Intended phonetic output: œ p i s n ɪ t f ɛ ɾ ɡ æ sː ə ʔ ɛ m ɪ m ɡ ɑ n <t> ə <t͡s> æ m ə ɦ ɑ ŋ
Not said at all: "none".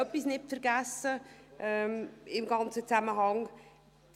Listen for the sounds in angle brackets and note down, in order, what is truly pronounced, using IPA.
t͡s, t͡s

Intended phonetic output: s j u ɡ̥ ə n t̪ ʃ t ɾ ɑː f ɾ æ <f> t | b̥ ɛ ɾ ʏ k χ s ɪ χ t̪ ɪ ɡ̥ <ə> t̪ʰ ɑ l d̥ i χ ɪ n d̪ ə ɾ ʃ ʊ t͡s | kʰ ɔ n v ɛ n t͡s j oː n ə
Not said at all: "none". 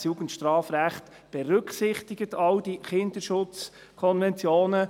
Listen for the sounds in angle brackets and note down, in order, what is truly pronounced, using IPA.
χ, ə

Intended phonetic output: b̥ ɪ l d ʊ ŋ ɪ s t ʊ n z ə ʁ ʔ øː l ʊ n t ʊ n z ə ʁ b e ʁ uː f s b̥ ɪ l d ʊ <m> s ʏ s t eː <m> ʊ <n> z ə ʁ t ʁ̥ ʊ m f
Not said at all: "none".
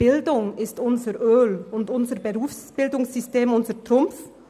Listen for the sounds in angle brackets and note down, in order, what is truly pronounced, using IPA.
ŋ, m, n

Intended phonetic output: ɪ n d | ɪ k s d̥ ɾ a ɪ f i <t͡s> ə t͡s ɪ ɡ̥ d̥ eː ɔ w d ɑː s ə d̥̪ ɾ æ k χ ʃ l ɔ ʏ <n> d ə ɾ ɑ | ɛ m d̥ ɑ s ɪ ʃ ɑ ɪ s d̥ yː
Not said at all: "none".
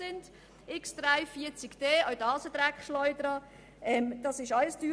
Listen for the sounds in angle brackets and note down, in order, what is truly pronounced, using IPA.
none, none

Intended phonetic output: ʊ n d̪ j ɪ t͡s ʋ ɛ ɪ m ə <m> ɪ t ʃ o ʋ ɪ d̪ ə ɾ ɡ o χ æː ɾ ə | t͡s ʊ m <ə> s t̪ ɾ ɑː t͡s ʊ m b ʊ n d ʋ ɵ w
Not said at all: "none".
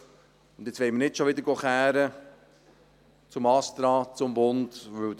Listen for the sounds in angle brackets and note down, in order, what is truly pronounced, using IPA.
n, ɑ

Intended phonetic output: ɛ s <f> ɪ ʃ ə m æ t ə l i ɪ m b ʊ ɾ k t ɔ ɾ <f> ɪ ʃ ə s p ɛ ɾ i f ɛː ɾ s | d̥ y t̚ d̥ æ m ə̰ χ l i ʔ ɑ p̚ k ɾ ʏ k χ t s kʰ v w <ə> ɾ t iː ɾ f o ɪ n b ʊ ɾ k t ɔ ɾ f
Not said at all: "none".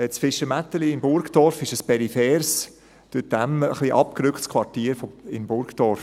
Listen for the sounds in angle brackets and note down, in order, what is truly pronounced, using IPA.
f, f, ɑ

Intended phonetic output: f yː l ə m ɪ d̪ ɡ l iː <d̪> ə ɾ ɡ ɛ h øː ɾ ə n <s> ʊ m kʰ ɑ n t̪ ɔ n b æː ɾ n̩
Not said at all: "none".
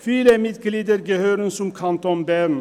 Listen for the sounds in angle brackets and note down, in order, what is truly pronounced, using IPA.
d̪, s

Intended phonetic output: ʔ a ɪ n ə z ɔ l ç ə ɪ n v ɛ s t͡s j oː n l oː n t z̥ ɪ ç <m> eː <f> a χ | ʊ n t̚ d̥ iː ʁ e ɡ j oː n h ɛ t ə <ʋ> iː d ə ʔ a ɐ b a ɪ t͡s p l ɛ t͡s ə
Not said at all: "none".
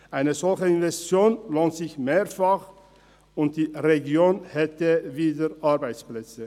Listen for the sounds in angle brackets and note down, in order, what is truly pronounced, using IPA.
m, f, v

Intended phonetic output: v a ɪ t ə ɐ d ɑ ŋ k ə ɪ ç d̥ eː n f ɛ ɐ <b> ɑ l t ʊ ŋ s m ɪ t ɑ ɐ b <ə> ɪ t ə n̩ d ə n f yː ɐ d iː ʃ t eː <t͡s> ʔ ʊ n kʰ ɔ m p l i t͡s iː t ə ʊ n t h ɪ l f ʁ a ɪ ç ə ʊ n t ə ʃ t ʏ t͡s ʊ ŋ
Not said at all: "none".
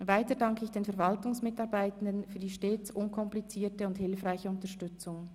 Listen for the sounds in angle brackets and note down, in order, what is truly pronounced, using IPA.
v, a, t͡s

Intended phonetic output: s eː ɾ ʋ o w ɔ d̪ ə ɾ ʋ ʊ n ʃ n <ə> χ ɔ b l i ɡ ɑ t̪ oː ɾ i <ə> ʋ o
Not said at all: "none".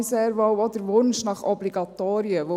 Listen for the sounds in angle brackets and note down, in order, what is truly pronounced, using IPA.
ɑ, ə

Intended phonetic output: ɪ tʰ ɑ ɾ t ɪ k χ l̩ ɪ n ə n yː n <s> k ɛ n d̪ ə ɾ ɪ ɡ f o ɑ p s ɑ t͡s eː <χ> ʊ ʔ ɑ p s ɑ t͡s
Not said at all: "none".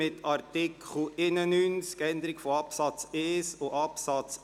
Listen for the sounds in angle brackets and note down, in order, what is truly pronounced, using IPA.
s, s

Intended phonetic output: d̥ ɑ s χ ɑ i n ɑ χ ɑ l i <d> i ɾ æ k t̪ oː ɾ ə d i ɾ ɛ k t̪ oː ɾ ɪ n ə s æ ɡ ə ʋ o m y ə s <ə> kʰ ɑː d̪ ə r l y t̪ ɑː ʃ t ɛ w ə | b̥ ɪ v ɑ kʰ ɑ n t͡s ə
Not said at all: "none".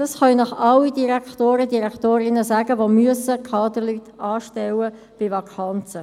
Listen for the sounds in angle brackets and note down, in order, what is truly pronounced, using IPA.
d, ə

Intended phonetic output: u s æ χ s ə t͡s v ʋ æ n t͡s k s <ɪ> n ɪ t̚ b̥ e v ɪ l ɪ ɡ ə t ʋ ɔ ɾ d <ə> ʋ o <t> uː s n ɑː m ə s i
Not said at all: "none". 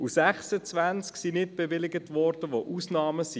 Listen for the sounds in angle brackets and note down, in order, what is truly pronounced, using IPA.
i, ə, ʔ

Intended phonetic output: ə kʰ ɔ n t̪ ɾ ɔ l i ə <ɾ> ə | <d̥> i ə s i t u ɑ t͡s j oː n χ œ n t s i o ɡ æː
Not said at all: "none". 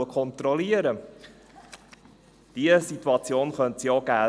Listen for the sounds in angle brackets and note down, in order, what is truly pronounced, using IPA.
ɾ, d̥

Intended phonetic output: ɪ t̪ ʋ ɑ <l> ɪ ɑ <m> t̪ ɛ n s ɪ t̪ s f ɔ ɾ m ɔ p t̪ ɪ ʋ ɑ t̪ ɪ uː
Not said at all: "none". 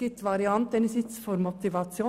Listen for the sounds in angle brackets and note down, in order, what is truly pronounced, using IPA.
ɾ, n

